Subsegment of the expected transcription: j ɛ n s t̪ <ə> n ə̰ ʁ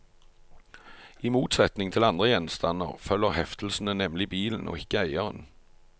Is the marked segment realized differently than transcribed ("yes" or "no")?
yes